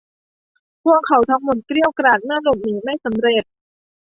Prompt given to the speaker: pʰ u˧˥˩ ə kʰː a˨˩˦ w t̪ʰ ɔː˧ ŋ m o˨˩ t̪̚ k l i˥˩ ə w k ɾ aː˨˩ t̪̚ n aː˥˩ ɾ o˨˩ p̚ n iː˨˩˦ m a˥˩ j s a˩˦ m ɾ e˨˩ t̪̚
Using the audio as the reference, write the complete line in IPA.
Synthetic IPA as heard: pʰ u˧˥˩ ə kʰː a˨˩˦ w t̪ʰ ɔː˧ ŋ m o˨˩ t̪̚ k ɾ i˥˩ ə w k ɾ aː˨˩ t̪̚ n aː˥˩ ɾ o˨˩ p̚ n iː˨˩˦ m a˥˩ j s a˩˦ m ɾ e˨˩ t̪̚